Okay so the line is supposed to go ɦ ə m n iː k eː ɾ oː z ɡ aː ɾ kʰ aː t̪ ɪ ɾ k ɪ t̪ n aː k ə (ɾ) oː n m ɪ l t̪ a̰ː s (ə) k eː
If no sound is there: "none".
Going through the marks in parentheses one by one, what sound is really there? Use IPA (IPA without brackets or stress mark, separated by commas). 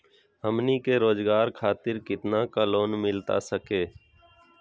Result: l, ə